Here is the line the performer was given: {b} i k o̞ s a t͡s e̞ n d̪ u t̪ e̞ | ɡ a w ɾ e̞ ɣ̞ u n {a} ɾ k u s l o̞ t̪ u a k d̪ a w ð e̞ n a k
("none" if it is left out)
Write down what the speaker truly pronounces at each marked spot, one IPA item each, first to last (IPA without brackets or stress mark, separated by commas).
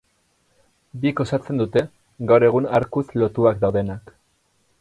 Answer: b, a